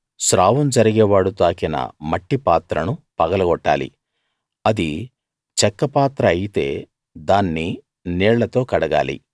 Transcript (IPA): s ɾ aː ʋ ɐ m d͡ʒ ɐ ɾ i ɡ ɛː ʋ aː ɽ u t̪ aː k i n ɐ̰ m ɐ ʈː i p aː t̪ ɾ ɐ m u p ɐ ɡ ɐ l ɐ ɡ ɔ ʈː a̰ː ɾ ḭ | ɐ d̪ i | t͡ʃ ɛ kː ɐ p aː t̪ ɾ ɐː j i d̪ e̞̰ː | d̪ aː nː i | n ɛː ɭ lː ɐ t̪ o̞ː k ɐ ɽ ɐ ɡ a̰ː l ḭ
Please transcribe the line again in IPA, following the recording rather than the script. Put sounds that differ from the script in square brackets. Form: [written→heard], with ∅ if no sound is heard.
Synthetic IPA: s ɾ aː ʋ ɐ m d͡ʒ ɐ ɾ i ɡ ɛː ʋ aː ɽ u t̪ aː k i n ɐ̰ m ɐ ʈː i p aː t̪ ɾ ɐ [m→n] u p ɐ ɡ ɐ l ɐ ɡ ɔ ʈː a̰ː [ɾ→l] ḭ | ɐ d̪ i | t͡ʃ ɛ kː ɐ p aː t̪ ɾ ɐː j i [d̪→t̪] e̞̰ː | d̪ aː nː i | n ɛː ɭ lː ɐ t̪ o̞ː k ɐ ɽ ɐ ɡ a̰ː l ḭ

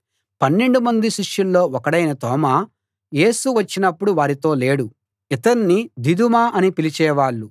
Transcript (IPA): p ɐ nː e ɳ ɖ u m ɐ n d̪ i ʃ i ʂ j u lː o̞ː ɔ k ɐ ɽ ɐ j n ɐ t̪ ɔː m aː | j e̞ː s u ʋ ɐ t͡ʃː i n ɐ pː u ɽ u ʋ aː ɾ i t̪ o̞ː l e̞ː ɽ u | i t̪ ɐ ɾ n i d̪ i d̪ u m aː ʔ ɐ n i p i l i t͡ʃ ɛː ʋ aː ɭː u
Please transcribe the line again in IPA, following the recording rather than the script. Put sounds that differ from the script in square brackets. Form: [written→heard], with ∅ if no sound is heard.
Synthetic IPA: p ɐ nː e ɳ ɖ u m ɐ n d̪ i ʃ i ʂ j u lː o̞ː ɔ k ɐ ɽ ɐ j n ɐ t̪ ɔː m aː | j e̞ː s u ʋ ɐ t͡ʃː i n ɐ pː u ɽ u ʋ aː ɾ i t̪ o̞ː l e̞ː ɽ u | i t̪ ɐ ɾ n i d̪ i d̪ u m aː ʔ ɐ n i p i l i t͡ʃ ɛː ʋ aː ɭː u

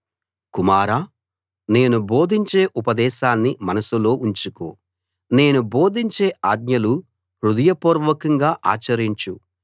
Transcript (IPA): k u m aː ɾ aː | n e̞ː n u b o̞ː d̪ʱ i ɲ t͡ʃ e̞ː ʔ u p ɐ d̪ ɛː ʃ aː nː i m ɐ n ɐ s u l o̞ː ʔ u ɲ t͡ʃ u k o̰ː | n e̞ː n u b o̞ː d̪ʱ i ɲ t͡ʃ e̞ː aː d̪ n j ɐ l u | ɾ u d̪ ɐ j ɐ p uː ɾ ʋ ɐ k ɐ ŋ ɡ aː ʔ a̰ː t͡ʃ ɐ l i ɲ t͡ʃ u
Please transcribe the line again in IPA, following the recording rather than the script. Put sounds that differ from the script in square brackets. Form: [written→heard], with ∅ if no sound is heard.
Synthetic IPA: k u m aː ɾ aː | n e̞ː n u b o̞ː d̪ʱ i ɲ t͡ʃ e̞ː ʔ u p ɐ d̪ ɛː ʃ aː nː i m ɐ n ɐ s u l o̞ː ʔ u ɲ t͡ʃ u k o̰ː | n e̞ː n u b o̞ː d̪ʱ i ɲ t͡ʃ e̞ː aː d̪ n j ɐ l u | ɾ u d̪ ɐ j ɐ p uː ɾ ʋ ɐ k ɐ ŋ ɡ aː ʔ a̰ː t͡ʃ ɐ [l→ɾ] i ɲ t͡ʃ u

